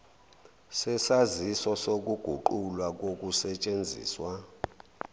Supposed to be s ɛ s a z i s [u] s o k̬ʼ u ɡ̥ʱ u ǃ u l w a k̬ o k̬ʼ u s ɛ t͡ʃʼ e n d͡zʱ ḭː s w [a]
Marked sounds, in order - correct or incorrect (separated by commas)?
incorrect, correct